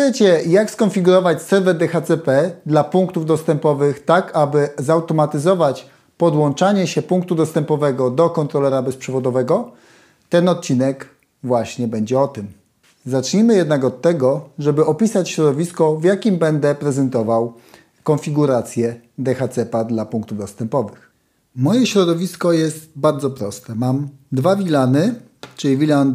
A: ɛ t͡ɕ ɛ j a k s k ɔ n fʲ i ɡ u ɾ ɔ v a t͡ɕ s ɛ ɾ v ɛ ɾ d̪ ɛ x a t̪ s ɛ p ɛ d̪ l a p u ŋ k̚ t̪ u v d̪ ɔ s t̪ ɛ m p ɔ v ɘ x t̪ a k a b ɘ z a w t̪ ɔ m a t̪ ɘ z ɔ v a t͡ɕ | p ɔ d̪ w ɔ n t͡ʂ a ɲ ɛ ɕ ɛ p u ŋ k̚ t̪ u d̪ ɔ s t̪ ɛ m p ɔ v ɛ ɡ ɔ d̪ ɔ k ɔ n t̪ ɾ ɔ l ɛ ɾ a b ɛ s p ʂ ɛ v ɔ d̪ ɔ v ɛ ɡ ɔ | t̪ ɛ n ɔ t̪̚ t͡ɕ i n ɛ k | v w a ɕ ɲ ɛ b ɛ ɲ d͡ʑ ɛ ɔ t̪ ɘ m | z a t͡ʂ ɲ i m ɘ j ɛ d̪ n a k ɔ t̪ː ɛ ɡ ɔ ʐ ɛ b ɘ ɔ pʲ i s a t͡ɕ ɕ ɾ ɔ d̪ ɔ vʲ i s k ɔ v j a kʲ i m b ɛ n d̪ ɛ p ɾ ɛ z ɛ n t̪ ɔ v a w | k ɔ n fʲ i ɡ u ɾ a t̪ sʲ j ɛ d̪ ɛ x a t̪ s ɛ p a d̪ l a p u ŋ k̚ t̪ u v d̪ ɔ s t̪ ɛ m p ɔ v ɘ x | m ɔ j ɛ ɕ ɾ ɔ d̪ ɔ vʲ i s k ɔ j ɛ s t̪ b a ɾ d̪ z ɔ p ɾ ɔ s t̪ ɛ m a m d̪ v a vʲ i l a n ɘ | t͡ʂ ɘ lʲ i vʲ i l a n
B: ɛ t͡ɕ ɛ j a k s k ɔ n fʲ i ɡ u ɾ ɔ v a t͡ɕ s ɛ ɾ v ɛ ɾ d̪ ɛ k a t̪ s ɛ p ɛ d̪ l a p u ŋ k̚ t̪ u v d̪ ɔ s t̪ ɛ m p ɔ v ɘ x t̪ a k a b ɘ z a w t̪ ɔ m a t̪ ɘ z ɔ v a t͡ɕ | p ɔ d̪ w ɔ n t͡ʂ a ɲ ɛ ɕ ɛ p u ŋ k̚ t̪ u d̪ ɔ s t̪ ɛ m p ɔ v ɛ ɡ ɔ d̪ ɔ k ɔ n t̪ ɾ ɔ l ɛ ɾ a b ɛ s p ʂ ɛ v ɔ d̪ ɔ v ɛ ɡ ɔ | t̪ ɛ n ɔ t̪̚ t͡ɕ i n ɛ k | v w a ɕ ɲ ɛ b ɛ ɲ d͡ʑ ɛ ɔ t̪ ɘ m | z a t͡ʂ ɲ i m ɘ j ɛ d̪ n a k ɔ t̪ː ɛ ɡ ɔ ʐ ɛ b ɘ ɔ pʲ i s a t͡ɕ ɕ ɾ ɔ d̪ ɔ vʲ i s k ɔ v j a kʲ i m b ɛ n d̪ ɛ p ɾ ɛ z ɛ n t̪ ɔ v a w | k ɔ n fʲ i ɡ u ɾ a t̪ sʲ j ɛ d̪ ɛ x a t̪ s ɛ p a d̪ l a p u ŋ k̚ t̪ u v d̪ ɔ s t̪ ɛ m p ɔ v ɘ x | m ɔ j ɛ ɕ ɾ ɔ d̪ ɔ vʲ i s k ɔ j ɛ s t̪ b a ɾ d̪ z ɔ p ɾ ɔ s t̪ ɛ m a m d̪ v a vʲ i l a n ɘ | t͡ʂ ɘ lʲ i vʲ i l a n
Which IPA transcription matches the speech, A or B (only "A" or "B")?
A